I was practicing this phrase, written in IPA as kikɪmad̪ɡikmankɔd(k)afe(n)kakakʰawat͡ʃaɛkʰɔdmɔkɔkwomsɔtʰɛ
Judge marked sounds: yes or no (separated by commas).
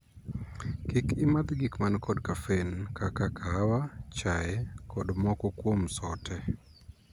yes, yes